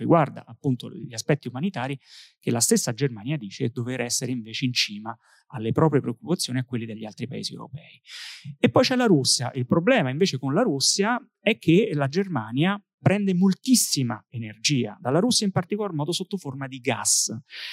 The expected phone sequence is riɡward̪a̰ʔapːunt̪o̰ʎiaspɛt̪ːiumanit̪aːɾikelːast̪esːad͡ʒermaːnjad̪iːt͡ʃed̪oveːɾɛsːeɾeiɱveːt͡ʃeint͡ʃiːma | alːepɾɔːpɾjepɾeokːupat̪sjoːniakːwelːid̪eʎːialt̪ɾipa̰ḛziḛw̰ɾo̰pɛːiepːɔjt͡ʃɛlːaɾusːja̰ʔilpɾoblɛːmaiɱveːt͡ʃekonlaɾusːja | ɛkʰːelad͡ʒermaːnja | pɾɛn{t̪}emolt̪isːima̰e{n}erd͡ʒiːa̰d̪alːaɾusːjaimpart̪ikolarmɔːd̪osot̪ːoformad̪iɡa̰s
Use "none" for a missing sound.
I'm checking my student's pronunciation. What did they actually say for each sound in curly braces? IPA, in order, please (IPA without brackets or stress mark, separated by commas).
d̪, n